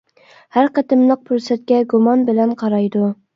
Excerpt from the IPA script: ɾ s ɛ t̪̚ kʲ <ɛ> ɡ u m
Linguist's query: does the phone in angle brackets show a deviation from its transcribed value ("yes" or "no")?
no